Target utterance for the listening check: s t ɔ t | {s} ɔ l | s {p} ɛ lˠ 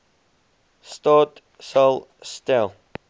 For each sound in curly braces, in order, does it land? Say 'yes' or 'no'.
yes, no

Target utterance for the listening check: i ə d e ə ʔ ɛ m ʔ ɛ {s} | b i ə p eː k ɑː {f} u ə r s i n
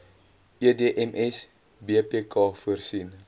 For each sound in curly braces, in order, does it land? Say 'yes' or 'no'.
yes, yes

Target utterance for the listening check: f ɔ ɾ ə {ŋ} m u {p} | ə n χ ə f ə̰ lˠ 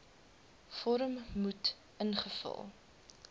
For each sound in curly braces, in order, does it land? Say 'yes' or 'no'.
no, no

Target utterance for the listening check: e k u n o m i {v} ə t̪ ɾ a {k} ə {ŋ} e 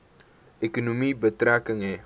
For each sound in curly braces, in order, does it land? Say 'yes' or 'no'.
no, yes, yes

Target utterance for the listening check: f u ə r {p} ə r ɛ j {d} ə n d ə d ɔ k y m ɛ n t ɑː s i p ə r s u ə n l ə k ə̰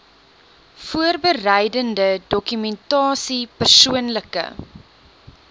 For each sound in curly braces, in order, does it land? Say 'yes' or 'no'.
no, yes

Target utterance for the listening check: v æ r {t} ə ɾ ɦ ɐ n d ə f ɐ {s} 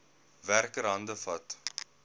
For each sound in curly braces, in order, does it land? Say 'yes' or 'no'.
no, no

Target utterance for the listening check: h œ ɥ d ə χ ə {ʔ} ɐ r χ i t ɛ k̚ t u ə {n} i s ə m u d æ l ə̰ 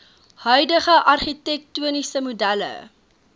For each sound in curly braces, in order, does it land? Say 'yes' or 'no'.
yes, yes

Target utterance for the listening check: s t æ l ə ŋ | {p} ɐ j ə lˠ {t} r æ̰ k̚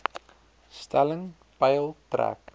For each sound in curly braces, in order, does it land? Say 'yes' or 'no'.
yes, yes

